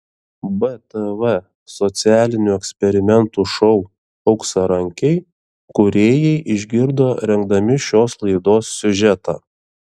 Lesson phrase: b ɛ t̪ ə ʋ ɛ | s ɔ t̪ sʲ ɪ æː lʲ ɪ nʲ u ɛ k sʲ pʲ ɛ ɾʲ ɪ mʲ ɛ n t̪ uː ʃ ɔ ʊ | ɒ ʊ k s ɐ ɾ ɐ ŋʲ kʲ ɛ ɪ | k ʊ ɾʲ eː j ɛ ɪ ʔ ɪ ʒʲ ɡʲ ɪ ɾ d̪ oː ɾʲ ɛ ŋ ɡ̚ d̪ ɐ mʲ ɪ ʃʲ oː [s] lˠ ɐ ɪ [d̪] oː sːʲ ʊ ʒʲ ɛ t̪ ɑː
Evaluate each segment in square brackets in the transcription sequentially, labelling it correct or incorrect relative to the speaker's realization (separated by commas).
correct, correct